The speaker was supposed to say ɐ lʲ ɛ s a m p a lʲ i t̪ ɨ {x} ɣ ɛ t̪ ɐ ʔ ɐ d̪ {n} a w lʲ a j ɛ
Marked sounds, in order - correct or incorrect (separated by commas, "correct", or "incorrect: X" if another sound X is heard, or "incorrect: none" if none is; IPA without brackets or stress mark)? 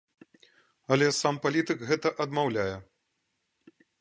incorrect: k, incorrect: m